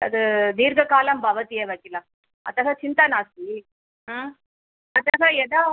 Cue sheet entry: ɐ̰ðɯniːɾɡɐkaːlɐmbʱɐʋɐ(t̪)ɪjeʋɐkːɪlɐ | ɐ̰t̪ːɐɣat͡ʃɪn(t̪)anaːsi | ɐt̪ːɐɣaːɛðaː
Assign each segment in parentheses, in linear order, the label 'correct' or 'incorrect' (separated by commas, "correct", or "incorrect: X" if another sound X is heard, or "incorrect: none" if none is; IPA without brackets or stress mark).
correct, correct